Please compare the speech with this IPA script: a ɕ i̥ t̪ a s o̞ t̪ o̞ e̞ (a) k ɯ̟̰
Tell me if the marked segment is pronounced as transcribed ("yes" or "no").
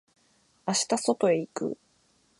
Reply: no